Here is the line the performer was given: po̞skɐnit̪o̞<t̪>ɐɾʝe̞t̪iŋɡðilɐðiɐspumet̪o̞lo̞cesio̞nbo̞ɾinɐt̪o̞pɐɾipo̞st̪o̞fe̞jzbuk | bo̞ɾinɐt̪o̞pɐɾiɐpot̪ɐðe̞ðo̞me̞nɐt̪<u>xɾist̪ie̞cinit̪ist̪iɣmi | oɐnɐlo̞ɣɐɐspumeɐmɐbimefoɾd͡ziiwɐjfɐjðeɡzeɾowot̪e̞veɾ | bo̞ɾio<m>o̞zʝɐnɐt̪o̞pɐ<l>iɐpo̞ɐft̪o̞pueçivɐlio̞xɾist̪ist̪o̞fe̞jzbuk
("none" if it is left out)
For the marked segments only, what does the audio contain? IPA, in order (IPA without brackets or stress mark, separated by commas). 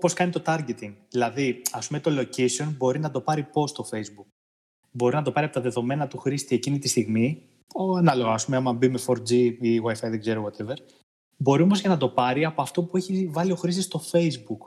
t̪, u, m, ɾ